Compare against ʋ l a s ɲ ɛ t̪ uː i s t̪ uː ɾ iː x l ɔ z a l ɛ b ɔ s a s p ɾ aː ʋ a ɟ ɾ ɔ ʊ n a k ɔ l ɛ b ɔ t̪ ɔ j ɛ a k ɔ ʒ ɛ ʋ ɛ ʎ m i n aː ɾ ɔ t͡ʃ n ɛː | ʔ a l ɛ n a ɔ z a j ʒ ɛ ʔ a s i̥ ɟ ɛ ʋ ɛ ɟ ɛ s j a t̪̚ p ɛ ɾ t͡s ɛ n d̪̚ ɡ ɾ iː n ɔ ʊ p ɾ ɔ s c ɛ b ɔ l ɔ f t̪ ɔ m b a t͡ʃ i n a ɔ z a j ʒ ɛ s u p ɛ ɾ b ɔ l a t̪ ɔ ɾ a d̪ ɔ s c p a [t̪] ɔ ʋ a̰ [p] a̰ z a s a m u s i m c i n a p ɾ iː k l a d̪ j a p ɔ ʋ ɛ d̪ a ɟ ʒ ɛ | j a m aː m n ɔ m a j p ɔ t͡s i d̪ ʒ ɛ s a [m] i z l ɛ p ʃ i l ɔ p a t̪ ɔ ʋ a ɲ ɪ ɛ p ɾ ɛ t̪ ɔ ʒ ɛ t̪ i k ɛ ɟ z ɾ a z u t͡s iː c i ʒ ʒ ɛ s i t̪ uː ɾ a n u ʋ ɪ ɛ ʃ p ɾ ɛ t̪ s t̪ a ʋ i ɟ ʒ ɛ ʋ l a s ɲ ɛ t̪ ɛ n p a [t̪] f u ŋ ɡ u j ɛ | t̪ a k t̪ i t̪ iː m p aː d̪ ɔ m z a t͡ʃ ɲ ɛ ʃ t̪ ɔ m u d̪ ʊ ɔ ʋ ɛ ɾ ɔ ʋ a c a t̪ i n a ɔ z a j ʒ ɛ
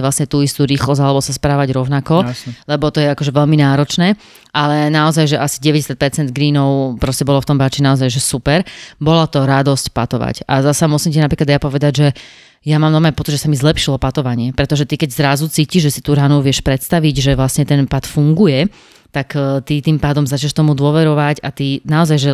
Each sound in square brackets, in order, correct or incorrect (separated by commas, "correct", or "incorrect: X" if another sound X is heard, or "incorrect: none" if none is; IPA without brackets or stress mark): correct, incorrect: c, correct, correct